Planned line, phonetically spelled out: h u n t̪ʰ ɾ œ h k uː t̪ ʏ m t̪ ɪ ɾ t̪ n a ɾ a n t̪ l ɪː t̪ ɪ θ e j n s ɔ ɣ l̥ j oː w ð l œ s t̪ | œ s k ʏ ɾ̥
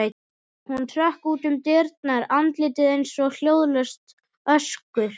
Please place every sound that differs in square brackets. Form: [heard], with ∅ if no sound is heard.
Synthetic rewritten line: h u n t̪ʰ ɾ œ h k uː t̪ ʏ m t̪ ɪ ɾ t̪ n a ɾ a n t̪ l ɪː t̪ ɪ [ð] e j n s ɔ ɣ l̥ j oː w ð l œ s t̪ | œ s k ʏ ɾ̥